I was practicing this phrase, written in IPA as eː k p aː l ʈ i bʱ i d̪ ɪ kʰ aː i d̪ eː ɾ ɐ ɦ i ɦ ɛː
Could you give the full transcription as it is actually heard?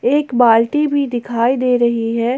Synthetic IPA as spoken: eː k b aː l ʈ i bʱ i d̪ ɪ kʰ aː i d̪ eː ɾ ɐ ɦ i ɦ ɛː